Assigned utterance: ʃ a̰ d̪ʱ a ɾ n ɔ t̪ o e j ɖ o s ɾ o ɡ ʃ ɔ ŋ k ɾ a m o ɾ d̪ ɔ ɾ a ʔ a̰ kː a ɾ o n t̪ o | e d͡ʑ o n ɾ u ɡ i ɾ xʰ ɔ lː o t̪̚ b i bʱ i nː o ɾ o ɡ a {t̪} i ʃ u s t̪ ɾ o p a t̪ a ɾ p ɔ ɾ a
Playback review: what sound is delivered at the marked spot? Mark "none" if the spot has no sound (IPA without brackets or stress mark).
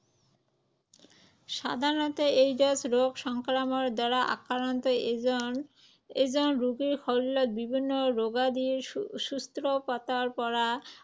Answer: d̪